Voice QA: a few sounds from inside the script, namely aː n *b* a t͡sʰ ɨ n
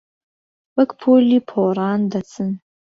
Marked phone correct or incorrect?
incorrect: d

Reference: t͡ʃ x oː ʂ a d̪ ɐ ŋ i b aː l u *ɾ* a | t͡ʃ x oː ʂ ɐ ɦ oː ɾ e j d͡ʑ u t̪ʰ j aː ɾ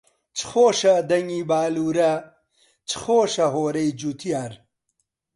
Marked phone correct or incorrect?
correct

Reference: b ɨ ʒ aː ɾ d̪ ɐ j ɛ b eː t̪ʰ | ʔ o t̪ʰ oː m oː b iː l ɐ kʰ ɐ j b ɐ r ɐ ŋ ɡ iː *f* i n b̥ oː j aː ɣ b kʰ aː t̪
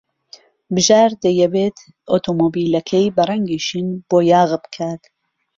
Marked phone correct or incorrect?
incorrect: ʃ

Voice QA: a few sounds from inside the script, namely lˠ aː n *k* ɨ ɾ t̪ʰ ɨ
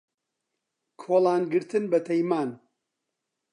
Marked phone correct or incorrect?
incorrect: ɡ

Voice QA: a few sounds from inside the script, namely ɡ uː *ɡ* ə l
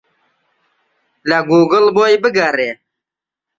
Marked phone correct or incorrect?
correct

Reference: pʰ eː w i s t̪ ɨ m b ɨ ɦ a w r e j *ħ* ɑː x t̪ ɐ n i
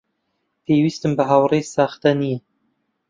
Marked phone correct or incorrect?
incorrect: s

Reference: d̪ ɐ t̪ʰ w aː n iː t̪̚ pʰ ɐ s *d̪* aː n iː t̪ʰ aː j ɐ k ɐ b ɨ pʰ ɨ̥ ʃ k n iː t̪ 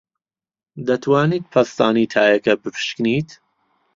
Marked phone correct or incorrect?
incorrect: t̪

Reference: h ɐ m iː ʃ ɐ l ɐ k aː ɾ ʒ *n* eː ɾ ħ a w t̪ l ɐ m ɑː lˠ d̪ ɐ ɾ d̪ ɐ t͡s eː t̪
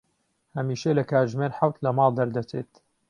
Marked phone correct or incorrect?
incorrect: m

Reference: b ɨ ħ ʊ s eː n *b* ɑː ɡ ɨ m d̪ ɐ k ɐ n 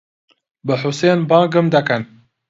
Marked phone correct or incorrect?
correct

